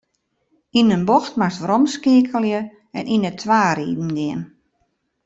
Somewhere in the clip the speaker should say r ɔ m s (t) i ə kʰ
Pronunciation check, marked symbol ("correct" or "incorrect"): incorrect